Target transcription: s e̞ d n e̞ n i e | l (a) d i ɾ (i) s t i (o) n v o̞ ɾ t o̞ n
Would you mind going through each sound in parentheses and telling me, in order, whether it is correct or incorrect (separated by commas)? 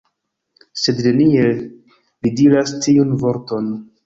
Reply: incorrect, incorrect, incorrect